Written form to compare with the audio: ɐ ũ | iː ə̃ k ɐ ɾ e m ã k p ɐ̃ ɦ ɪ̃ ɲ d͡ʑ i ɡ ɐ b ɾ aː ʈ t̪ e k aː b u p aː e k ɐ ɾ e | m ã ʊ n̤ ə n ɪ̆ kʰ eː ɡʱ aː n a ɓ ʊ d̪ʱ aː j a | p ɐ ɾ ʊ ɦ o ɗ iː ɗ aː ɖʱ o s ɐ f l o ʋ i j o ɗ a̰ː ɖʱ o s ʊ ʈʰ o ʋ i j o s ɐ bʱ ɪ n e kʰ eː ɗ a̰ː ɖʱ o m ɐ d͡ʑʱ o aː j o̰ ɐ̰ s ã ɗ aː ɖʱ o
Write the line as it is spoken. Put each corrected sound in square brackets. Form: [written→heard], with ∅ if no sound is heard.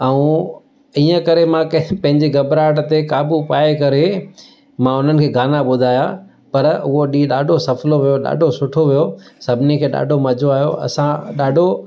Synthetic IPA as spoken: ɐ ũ | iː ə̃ k ɐ ɾ e m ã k p ɐ̃ ɦ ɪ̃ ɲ d͡ʑ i ɡ ɐ b ɾ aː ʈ t̪ e k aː b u p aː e k ɐ ɾ e | m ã ʊ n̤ ə n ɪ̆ kʰ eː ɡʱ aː n a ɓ ʊ d̪ʱ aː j a | p ɐ ɾ ʊ ɦ o ɗ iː ɗ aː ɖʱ o s ɐ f l o ʋ i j o ɗ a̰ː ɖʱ o s ʊ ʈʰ o ʋ i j o s ɐ bʱ ɪ n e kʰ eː ɗ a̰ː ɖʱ o m ɐ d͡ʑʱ o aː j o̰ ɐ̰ s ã ɗ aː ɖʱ o